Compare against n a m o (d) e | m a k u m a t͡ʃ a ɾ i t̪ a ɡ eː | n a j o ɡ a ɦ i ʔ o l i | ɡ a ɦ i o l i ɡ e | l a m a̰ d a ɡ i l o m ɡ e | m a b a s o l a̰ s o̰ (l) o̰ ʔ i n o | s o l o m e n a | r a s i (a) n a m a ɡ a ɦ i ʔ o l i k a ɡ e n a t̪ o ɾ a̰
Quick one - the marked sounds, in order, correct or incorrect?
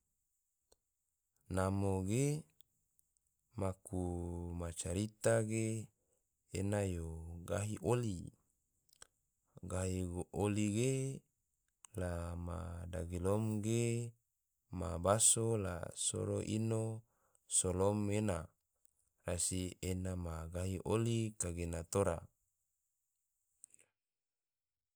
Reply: incorrect: ɡ, incorrect: ɾ, incorrect: e

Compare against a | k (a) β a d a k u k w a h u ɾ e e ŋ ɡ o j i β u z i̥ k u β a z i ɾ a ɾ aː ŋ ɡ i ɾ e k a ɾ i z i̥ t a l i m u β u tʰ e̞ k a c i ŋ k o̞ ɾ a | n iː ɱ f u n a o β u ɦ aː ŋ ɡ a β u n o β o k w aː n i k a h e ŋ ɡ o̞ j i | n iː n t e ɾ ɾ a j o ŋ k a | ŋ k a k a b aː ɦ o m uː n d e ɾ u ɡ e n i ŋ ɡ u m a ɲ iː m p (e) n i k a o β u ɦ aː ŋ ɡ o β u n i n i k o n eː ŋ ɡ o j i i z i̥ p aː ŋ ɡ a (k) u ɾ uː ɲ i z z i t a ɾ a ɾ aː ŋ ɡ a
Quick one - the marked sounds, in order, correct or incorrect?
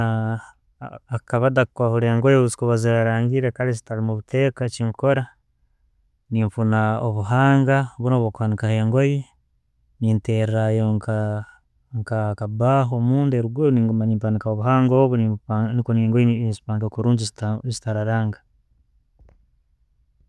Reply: correct, incorrect: a, correct

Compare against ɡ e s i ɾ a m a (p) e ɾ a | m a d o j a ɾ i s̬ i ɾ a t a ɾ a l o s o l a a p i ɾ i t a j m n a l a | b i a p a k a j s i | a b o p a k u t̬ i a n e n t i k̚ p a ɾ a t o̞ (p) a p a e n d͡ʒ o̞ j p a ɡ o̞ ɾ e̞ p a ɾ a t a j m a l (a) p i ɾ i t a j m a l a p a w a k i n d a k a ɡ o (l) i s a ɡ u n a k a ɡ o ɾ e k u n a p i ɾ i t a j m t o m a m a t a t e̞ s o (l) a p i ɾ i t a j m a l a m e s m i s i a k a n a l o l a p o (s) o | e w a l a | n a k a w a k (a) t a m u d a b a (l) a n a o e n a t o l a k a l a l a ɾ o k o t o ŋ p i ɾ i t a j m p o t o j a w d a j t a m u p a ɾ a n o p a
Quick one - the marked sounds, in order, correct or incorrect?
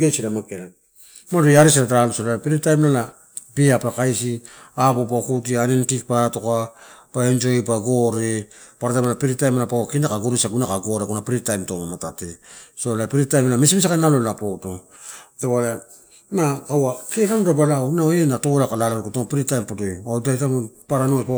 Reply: incorrect: k, incorrect: k, correct, incorrect: ɾ, correct, incorrect: t, incorrect: e, correct

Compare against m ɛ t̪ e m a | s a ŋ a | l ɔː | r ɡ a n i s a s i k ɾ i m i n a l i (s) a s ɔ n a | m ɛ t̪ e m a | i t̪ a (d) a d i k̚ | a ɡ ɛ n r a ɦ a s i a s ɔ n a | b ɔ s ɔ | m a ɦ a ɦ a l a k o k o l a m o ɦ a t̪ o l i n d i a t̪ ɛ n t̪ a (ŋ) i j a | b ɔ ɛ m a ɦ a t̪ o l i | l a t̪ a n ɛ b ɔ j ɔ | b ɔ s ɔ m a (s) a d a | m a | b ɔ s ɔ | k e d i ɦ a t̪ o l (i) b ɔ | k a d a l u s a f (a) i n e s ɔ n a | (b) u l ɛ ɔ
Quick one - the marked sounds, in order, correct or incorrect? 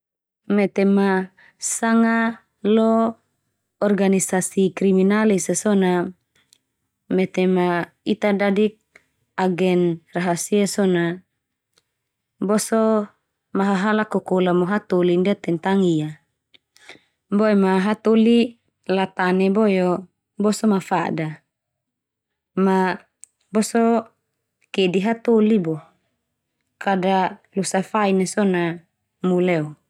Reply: correct, correct, correct, incorrect: f, correct, correct, incorrect: m

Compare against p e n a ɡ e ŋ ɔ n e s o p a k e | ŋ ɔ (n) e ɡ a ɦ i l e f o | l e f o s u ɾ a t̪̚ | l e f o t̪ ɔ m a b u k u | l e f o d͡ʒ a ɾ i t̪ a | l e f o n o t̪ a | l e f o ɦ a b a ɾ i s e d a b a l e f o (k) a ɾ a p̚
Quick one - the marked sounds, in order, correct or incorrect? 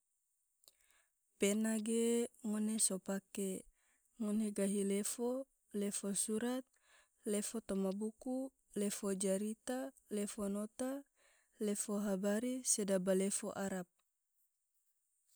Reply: correct, incorrect: ʔ

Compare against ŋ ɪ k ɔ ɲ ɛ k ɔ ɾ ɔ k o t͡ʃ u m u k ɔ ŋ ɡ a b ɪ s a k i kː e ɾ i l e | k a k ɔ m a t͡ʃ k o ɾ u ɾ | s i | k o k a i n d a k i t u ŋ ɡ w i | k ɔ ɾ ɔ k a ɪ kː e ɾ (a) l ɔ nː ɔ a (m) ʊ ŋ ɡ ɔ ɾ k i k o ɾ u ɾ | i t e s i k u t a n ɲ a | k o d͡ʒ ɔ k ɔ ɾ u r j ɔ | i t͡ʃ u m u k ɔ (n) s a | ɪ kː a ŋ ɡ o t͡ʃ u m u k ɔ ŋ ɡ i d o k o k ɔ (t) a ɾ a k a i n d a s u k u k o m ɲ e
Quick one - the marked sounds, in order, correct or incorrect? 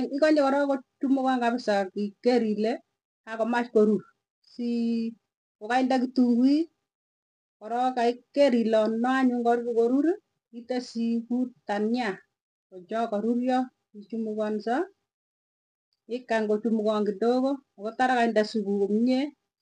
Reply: incorrect: i, incorrect: ɲ, correct, correct

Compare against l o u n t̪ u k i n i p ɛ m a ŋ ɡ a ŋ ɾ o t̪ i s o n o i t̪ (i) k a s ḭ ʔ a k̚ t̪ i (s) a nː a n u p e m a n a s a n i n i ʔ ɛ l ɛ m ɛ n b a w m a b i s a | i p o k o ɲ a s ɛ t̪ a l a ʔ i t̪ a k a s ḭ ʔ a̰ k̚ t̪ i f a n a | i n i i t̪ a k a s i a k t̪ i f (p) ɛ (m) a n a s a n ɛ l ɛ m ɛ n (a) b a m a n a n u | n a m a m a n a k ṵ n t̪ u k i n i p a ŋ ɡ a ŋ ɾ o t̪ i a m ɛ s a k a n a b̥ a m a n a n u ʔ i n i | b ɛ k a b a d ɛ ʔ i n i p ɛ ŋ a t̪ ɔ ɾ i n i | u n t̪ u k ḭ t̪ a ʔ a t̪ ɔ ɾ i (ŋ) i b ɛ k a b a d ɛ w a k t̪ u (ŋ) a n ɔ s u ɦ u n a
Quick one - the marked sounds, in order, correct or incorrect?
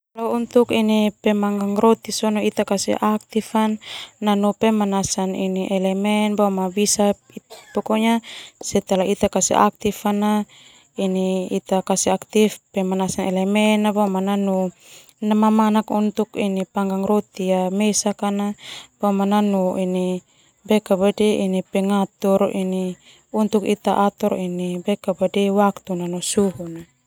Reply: incorrect: a, incorrect: f, correct, correct, correct, incorrect: n, incorrect: n

